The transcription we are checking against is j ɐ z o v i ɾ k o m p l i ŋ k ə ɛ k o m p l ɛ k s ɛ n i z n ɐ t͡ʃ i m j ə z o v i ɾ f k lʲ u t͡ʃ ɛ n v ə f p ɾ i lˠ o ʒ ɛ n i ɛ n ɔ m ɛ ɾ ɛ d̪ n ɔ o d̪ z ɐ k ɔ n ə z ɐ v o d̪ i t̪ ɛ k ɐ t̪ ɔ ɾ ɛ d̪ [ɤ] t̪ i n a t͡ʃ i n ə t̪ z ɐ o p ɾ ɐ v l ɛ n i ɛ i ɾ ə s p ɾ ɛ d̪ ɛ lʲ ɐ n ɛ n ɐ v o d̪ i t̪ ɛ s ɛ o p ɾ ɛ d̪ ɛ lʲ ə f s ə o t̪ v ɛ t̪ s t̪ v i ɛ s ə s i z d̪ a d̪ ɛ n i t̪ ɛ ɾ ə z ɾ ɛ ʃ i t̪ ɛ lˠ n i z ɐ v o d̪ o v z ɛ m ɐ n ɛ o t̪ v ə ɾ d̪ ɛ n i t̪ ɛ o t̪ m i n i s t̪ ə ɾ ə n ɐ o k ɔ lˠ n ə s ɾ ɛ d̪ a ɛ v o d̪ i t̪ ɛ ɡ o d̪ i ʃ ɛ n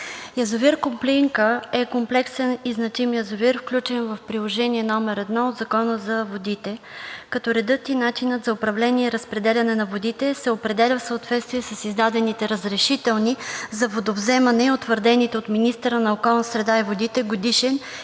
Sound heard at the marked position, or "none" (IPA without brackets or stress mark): ɤ